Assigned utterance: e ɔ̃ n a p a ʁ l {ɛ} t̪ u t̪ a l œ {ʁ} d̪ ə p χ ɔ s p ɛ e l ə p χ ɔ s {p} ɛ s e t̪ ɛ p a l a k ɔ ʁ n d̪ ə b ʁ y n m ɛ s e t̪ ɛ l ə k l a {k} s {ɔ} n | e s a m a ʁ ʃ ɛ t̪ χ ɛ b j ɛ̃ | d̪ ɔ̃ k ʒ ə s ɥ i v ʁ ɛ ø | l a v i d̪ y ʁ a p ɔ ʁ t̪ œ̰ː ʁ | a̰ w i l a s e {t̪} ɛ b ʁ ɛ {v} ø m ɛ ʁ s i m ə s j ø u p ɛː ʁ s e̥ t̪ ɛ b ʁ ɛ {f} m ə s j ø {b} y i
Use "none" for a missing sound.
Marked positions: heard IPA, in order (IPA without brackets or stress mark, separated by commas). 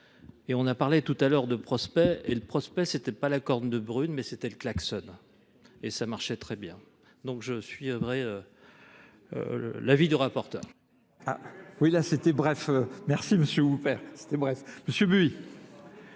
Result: e, ʁ, p, k, ɔ, t̪, f, f, b